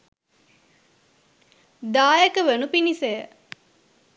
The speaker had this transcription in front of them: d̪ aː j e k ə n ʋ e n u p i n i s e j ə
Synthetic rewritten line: d̪ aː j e k ə ʋ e n u p i n i s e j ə

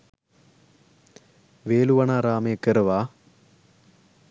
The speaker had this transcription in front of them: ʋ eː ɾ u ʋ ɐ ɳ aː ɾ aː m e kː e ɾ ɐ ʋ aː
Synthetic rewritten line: ʋ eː l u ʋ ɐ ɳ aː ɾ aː m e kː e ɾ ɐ ʋ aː

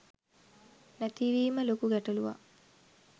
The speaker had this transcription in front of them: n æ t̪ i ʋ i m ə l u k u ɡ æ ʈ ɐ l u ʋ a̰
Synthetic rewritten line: n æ t̪ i ʋ iː m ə l o k u ɡ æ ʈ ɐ l u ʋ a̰

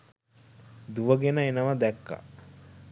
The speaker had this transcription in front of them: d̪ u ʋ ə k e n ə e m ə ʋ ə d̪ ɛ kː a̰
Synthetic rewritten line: d̪ u ʋ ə ɡ e n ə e n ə ʋ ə d̪ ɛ kː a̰

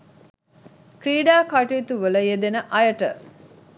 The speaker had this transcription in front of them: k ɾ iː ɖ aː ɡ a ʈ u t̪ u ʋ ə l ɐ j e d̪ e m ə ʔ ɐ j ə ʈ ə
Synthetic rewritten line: k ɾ iː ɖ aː k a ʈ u t̪ u ʋ ə l ə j e d̪ e n ə ʔ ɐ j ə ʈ ə

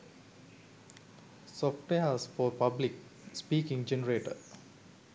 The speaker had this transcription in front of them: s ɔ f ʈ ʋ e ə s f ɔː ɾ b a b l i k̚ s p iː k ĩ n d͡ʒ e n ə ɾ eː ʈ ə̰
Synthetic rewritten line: s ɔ f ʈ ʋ e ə s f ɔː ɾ p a b l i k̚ s p iː k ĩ ŋ d͡ʒ e n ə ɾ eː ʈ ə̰

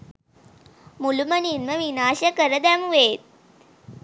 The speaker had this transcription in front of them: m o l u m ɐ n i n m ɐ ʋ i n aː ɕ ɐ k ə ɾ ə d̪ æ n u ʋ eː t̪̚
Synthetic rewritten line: m u l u m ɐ n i n m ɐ ʋ i n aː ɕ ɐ k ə ɾ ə d̪ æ m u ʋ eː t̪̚

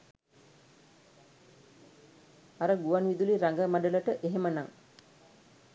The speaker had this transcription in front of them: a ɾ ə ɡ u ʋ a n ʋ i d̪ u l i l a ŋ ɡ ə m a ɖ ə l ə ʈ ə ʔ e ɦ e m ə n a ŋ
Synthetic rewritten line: a ɾ ə ɡ u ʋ a n ʋ i d̪ u l i ɾ a ŋ ɡ ə m a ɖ ə l ə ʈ ə ʔ e ɦ e m ə n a ŋ

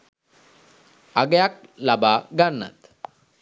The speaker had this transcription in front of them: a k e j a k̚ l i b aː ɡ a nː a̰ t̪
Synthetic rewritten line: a ɡ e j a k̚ l a b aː ɡ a nː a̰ t̪

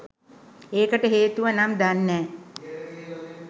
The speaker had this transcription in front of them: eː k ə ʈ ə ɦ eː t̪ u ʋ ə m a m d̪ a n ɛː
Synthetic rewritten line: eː k ə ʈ ə ɦ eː t̪ u ʋ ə n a m d̪ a nː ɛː

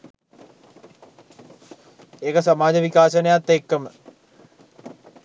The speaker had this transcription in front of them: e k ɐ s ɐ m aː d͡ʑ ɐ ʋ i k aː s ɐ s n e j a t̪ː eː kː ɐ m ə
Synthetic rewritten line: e k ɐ s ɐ m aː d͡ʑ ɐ ʋ i k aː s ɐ n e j a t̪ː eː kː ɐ m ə

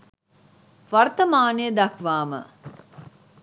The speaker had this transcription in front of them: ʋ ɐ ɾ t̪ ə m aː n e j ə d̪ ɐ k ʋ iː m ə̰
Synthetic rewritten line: ʋ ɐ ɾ t̪ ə m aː n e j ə d̪ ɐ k ʋ aː m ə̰

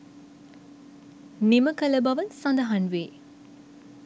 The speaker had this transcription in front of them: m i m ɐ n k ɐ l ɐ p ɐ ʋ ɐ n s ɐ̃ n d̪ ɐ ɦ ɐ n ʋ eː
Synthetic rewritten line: n i m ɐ k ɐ l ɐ b ɐ ʋ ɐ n s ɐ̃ n d̪ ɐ ɦ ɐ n ʋ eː

